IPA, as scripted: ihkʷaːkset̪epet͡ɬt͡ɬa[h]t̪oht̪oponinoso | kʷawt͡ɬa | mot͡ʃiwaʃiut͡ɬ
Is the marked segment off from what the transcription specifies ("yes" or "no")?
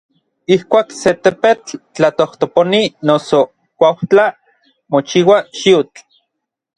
yes